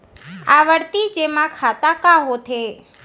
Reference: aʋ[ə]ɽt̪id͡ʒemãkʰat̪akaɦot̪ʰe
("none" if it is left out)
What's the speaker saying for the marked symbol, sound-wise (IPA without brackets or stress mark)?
ə